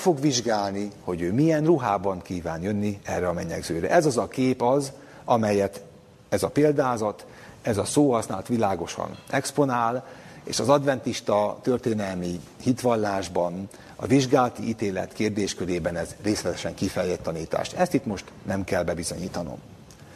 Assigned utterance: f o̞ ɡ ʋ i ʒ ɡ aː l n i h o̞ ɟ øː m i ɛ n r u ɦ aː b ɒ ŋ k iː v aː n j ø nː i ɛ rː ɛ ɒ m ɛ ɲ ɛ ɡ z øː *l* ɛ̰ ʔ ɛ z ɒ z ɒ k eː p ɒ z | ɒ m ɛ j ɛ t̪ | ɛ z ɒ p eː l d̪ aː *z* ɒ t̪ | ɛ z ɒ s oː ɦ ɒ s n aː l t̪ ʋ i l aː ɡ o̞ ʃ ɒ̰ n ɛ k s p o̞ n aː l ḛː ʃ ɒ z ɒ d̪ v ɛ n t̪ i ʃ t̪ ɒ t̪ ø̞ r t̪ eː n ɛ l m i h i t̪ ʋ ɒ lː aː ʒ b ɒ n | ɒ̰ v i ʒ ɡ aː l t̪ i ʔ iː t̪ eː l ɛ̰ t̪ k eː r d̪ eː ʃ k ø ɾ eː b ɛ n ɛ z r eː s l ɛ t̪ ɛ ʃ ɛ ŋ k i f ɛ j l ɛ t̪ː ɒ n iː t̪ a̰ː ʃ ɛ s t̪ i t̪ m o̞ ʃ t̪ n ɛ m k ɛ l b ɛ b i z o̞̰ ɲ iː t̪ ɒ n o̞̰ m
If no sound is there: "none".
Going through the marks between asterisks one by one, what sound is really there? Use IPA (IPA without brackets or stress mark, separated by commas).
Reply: ɾ, z